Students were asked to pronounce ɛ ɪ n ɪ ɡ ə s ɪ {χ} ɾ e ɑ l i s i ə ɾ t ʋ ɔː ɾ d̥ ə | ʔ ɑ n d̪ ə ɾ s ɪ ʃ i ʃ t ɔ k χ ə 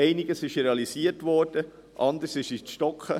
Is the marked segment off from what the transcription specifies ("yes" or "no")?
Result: yes